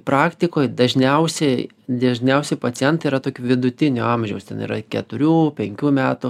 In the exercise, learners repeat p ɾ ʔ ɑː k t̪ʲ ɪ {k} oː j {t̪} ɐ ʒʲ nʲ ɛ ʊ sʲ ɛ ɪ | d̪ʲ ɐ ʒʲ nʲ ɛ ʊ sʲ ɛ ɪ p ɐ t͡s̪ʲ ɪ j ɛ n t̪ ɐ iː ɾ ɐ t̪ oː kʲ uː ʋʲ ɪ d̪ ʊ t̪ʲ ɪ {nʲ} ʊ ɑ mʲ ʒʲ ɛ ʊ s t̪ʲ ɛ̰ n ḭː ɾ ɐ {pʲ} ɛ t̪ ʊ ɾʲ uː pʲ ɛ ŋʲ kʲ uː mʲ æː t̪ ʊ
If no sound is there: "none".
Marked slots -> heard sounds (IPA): k, d̪, nʲ, kʲ

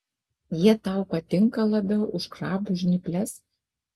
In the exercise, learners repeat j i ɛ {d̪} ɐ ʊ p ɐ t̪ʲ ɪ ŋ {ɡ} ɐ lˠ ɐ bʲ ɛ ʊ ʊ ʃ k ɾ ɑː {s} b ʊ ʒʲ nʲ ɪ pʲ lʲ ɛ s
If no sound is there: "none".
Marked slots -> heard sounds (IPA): t̪, k, none

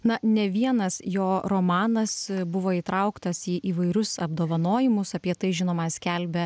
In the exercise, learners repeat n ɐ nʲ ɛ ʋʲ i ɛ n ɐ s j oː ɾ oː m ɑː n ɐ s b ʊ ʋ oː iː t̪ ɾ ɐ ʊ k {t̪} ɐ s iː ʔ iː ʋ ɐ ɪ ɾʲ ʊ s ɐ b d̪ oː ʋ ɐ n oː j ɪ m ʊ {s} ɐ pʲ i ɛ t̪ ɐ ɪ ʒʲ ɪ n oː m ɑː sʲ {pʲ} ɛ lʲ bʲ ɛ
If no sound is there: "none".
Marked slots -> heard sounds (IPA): t̪, s, kʲ

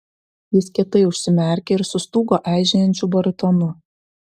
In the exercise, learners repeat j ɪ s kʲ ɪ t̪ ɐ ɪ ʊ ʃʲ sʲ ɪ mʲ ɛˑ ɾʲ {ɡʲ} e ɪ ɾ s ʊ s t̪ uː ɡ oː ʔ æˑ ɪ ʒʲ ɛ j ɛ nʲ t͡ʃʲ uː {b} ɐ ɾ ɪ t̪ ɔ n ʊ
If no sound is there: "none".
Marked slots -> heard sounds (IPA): kʲ, b

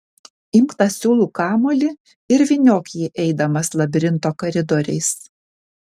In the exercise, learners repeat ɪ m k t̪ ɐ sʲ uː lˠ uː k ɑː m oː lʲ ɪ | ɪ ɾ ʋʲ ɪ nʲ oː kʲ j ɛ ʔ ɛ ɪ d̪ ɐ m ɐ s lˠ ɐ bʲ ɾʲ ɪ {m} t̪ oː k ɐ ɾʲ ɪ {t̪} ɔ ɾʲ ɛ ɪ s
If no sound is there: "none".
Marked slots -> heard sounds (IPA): n, d̪

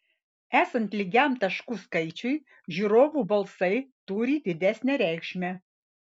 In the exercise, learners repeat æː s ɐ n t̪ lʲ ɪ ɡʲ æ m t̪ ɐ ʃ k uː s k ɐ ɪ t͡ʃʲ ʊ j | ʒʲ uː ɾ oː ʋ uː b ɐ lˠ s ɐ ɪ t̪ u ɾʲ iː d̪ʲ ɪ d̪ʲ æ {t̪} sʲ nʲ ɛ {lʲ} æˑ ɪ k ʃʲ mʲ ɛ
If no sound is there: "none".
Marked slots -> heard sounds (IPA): none, ɾʲ

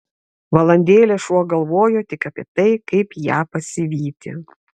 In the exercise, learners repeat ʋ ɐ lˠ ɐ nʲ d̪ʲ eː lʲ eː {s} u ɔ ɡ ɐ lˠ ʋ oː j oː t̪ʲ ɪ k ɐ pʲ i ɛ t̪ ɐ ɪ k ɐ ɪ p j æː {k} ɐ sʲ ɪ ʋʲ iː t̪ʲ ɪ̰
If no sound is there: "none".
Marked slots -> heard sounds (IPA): ʃ, p

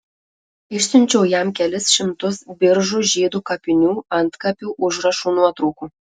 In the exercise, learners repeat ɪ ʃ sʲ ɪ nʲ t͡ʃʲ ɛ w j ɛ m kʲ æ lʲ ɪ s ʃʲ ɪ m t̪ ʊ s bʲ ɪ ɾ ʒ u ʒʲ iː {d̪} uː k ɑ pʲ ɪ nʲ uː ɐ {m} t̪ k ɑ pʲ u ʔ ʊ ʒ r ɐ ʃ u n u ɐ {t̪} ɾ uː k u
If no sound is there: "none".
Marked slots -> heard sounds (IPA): d̪, n, t̪

